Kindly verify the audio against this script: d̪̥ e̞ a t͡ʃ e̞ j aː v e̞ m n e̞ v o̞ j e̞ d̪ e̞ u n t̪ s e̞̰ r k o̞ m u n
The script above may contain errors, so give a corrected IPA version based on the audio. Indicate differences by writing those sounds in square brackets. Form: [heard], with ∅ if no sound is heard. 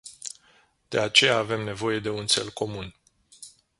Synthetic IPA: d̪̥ e̞ a t͡ʃ e̞ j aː v e̞ m n e̞ v o̞ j e̞ d̪ e̞ u n t̪ s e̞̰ [l] k o̞ m u n